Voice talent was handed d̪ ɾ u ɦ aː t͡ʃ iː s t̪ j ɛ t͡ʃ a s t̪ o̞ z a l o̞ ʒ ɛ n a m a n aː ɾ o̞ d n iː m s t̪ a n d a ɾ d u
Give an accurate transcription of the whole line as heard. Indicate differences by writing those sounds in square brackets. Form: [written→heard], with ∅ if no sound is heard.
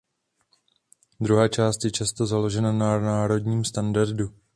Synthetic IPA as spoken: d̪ ɾ u ɦ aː t͡ʃ [iː→aː] s t̪ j ɛ t͡ʃ a s t̪ o̞ z a l o̞ ʒ ɛ n a [m→n] a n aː ɾ o̞ d [n→ɲ] iː m s t̪ a n d a ɾ d u